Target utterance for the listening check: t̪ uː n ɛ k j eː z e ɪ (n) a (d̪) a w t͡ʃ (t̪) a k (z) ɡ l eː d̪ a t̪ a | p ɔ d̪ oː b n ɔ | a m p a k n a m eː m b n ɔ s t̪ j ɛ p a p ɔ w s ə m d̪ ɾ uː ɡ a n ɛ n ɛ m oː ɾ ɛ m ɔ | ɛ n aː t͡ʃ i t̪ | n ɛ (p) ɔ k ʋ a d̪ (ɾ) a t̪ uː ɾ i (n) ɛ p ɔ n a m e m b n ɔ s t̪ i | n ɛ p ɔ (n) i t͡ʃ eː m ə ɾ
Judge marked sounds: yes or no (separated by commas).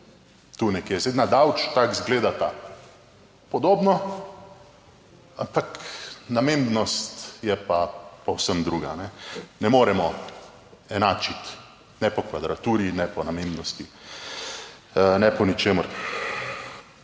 yes, yes, yes, yes, yes, yes, yes, yes